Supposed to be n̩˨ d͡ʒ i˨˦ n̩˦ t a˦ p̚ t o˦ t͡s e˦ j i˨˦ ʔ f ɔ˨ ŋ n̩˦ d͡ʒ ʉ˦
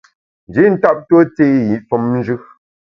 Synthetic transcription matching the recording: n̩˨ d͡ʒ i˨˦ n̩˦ t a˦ p̚ t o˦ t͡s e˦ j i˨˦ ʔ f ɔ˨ m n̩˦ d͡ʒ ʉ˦